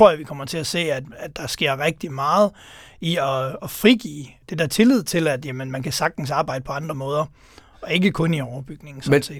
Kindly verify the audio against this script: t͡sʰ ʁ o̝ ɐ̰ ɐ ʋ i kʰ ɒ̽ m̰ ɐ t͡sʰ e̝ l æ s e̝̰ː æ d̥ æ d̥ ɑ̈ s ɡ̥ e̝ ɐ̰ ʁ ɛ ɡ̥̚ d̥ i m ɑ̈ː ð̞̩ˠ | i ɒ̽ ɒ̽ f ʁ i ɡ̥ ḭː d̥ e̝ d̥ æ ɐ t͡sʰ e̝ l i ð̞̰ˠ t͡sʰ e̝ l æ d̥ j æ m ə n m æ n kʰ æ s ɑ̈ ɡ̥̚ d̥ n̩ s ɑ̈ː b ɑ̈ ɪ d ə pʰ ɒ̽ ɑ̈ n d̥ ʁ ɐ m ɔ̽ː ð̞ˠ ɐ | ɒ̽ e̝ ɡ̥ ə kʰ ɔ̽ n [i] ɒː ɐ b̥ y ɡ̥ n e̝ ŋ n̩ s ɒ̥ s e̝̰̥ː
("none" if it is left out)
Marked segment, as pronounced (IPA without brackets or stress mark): i